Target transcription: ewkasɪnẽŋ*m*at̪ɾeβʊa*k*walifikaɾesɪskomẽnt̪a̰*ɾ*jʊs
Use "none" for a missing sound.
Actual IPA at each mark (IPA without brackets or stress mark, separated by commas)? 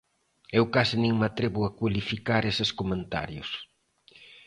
m, k, ɾ